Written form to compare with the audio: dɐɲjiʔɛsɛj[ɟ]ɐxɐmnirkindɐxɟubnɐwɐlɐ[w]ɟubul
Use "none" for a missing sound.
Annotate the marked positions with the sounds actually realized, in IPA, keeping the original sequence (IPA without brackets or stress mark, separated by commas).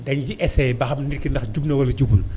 b, none